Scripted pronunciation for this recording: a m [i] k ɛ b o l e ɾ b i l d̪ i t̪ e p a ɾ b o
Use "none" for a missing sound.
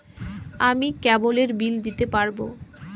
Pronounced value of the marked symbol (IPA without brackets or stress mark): i